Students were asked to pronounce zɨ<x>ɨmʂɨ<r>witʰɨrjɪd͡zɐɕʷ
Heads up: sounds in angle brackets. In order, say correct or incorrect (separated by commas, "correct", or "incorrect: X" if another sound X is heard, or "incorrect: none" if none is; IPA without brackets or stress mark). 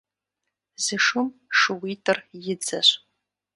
incorrect: ʂ, incorrect: none